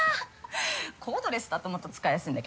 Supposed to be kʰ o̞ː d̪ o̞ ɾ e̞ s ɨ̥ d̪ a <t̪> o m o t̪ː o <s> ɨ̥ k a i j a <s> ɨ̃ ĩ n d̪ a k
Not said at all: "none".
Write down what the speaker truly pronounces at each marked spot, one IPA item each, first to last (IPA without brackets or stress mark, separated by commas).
t̪, t͡s, s